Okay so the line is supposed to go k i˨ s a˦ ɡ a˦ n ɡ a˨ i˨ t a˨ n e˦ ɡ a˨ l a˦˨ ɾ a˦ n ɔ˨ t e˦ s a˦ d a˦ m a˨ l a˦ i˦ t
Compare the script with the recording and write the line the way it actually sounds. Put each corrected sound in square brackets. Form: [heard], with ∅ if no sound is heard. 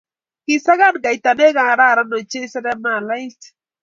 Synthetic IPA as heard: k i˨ s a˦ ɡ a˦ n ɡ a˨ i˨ t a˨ n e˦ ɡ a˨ [ɾ] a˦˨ ɾ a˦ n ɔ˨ [t͡ʃ] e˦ s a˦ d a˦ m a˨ l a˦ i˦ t